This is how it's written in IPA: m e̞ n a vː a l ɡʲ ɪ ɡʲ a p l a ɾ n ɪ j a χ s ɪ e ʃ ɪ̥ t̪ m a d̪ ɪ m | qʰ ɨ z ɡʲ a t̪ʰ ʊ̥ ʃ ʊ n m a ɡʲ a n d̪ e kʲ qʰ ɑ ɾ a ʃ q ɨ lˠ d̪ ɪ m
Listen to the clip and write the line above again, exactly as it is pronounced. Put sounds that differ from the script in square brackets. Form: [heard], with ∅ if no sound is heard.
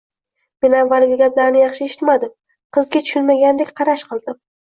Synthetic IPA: m e̞ n a vː a l ɡʲ ɪ ɡʲ a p l a ɾ n ɪ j [ɑ] χ [ʃ] ɪ e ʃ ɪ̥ t̪ m a d̪ ɪ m | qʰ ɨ z ɡʲ a t̪ʰ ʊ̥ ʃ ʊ n m a ɡʲ a n d̪ e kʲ qʰ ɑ ɾ a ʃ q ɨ lˠ d̪ ɪ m